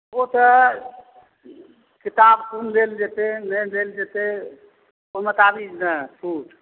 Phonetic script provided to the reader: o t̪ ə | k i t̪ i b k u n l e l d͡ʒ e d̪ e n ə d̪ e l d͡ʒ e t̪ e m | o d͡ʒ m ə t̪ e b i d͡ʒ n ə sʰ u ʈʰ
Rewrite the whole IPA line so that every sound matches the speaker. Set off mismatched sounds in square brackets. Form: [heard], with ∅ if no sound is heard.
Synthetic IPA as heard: o t̪ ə | k i t̪ [a] b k u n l e l d͡ʒ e [t̪] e n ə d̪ e l d͡ʒ e t̪ e [∅] | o [∅] m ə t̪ [a] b i d͡ʒ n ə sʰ u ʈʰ